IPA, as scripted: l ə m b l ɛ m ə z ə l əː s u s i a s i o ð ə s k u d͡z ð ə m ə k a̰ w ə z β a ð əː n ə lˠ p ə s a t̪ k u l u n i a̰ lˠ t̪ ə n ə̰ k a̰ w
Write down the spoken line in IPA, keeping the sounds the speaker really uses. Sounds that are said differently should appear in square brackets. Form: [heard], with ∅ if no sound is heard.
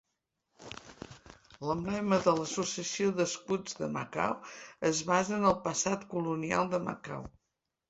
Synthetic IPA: l ə m b l ɛ m ə [ð] ə l [ə] s u s i [ə] s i o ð ə s k u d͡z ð ə m ə k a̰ w ə z β a [z] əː n ə lˠ p ə s a t̪ k u l u n i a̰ lˠ [d̪] ə [m] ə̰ k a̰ w